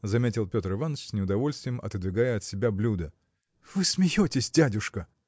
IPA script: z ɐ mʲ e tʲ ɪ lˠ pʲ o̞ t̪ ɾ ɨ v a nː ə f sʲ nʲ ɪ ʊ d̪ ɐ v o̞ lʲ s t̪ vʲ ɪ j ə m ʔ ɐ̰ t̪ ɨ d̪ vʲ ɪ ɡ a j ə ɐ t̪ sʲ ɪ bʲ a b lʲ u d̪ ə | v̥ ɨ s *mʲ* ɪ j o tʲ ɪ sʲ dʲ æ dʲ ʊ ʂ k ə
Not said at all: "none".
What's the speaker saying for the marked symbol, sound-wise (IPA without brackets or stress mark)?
mʲ